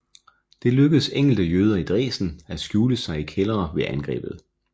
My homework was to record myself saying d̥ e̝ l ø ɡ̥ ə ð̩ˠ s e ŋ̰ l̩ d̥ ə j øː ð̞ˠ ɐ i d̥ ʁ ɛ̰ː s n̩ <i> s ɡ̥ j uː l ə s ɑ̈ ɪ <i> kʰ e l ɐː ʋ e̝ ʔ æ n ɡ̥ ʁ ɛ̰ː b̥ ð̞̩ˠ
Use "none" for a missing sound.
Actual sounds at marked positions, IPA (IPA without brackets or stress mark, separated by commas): æ, i